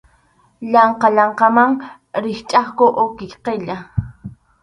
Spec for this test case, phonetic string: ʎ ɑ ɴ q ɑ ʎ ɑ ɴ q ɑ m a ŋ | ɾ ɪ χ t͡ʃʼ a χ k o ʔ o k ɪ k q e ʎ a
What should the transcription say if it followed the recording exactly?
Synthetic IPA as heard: ʎ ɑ ɴ q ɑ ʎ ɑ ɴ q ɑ m a ŋ | ɾ ɪ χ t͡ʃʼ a χ k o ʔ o k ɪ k q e ʎ a